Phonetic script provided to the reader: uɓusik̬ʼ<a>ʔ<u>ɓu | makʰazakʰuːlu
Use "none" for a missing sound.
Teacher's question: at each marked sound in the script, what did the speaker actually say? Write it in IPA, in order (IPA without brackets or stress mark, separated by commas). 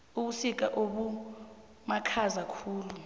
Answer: a, o